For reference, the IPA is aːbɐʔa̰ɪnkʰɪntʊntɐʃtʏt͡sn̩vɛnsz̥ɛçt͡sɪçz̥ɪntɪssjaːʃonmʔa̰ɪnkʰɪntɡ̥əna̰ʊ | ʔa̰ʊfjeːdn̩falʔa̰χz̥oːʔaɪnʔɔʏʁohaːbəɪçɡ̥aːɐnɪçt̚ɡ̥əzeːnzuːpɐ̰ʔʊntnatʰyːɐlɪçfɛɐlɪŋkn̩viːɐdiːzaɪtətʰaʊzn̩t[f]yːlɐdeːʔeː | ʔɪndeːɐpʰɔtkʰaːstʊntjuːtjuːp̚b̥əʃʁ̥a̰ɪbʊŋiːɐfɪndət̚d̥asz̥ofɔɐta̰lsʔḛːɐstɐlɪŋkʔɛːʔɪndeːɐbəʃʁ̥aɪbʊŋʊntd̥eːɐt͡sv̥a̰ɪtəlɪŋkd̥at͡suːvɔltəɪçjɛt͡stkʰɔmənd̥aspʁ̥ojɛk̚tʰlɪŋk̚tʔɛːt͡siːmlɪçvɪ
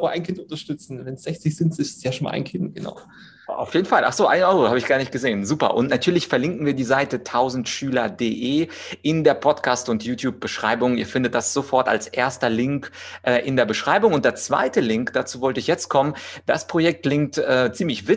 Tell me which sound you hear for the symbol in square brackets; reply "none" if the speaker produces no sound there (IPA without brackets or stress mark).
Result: ʃ